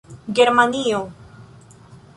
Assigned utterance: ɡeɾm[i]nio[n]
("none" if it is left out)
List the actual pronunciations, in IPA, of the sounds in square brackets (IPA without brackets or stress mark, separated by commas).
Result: a, none